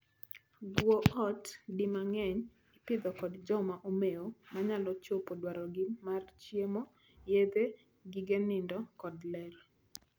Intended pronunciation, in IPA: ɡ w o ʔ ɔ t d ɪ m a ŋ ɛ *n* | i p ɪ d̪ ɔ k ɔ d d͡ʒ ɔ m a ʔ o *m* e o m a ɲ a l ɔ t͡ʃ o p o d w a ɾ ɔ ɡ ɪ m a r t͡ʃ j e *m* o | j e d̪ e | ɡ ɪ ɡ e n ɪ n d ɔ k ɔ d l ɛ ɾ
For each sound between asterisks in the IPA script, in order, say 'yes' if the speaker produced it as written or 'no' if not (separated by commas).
no, yes, yes